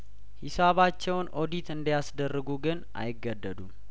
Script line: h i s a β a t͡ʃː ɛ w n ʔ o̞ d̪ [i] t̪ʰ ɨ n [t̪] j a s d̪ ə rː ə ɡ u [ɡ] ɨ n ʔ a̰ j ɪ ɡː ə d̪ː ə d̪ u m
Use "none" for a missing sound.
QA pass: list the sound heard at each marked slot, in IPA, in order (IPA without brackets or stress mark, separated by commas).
i, d̪, ɡ